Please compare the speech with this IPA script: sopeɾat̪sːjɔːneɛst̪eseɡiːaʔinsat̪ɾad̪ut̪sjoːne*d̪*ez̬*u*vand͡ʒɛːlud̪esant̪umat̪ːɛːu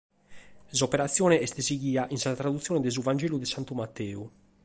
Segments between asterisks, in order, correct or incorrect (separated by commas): correct, correct